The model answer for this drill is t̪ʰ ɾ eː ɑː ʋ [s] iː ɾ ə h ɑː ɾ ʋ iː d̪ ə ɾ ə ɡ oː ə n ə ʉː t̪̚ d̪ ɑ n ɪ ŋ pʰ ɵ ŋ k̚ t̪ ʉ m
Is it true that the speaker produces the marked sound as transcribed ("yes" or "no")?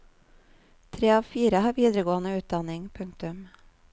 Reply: no